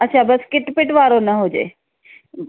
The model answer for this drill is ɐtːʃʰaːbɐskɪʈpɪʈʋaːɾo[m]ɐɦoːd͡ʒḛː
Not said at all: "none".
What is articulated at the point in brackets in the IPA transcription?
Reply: n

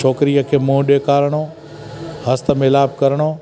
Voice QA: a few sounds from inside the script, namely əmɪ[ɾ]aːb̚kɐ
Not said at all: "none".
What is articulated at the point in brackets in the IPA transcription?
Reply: l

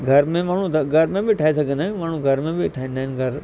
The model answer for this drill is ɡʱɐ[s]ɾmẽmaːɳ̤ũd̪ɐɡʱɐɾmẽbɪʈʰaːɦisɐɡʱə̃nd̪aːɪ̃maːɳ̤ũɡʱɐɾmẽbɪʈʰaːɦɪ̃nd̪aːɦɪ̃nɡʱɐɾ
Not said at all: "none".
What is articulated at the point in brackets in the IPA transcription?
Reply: none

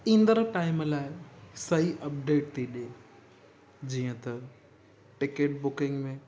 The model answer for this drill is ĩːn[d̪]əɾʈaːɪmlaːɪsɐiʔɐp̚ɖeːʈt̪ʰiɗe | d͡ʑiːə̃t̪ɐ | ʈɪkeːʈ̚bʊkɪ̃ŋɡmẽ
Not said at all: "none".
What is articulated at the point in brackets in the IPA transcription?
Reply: d̪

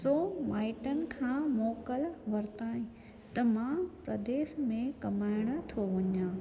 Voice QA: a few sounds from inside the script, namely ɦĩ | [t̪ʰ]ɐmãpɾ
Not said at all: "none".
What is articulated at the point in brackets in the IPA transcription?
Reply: t̪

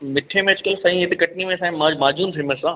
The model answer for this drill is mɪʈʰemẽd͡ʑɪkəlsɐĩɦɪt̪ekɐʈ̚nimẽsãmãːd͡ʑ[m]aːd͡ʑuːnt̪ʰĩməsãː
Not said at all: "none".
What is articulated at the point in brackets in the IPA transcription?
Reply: m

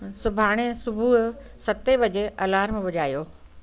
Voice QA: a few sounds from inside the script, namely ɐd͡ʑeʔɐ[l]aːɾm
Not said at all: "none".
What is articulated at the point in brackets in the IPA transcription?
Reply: l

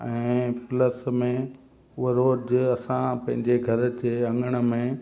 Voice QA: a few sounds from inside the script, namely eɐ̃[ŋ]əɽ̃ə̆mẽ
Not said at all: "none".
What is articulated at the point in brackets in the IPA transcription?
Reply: ŋ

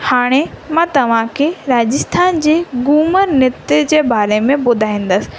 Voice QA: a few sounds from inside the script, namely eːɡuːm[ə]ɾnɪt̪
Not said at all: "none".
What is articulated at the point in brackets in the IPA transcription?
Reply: ə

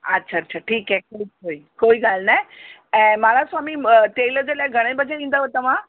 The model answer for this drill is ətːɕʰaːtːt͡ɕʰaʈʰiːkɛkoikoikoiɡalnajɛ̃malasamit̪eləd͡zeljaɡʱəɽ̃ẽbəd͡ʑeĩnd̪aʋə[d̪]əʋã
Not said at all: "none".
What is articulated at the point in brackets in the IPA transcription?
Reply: t̪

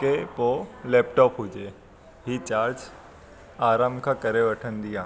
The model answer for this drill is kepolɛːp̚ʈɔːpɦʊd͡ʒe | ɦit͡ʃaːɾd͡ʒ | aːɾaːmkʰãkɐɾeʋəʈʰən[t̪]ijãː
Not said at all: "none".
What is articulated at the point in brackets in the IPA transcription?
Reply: d̪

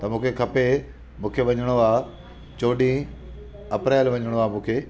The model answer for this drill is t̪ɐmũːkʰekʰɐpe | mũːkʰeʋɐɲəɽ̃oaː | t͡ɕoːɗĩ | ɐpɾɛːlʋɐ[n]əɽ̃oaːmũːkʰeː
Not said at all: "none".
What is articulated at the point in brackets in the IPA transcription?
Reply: ɲ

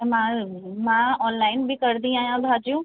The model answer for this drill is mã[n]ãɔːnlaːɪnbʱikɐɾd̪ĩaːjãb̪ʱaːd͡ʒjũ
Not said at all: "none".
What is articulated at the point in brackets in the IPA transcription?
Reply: m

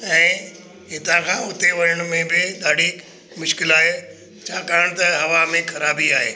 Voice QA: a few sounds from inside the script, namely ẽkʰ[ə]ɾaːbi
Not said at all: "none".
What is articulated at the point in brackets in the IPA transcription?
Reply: ɐ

